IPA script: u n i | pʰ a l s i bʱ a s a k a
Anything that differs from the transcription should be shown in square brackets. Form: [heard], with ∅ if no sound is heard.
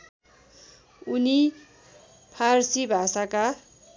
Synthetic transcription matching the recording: u n i | pʰ a [r] s i bʱ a s a k a